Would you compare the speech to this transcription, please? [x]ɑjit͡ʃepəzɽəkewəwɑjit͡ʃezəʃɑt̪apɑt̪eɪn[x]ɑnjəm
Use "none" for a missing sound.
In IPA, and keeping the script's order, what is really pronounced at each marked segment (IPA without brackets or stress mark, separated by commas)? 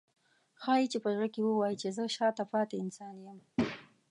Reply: x, s